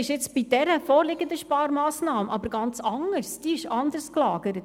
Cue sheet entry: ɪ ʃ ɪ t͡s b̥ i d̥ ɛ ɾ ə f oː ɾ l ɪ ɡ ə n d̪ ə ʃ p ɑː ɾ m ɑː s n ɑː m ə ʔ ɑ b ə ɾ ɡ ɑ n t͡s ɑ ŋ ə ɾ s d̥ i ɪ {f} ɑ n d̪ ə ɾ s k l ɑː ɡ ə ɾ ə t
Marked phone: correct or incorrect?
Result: incorrect